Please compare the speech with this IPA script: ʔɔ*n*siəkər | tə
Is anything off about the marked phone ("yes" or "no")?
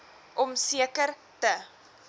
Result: yes